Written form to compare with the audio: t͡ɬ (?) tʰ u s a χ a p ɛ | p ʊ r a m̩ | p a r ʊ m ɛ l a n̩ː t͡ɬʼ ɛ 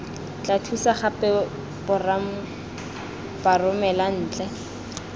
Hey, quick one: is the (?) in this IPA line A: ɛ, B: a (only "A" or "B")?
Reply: B